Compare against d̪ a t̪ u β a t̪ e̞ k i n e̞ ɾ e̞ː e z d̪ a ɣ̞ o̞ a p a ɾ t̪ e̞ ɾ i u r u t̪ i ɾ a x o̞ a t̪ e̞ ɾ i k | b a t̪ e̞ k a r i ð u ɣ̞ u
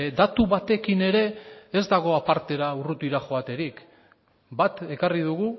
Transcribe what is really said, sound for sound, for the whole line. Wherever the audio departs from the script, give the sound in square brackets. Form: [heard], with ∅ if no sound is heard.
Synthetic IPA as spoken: d̪ a t̪ u β a t̪ e̞ k i n e̞ ɾ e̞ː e z d̪ a ɣ̞ o̞ a p a ɾ t̪ e̞ ɾ [a] u r u t̪ i ɾ a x o̞ a t̪ e̞ ɾ i k | b a t̪ e̞ k a r i ð u ɣ̞ u